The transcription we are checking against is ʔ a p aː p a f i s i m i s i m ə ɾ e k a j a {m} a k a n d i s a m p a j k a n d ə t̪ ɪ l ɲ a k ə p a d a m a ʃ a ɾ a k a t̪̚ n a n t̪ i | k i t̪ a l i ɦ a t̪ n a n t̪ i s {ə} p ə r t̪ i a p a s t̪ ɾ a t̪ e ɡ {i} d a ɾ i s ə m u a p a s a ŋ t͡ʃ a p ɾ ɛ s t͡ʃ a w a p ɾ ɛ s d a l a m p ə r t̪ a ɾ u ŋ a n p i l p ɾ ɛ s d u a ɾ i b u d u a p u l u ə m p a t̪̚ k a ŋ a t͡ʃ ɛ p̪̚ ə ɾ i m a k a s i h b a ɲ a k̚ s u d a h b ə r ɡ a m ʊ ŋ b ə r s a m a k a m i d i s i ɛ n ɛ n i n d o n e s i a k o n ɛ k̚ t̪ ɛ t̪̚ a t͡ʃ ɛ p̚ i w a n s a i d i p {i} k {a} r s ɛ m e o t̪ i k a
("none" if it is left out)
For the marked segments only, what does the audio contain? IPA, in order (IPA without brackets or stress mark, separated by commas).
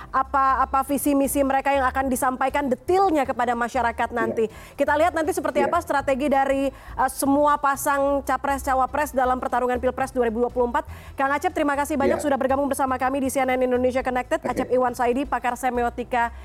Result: ŋ, ə, i, a, a